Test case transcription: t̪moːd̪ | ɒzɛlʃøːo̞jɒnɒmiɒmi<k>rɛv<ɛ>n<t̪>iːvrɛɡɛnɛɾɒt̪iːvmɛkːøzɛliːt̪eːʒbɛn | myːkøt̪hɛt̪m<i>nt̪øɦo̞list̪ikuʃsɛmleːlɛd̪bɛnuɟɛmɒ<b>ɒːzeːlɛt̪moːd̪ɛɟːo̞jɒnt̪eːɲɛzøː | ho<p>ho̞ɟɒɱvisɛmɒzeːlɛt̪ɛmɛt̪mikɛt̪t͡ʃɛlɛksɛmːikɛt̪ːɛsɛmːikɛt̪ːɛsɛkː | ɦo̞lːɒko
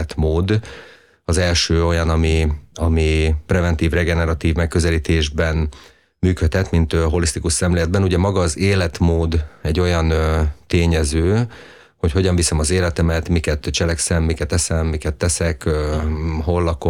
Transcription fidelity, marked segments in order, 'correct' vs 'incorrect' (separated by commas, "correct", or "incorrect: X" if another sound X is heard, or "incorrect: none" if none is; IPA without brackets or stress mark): incorrect: p, correct, correct, correct, incorrect: ɡ, incorrect: c